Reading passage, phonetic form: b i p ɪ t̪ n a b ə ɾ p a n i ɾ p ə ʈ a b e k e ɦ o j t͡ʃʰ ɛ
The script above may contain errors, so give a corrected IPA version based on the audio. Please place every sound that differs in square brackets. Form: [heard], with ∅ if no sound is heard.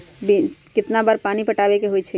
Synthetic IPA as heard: b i [k] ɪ t̪ n a b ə ɾ p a n i [∅] p ə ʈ a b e k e ɦ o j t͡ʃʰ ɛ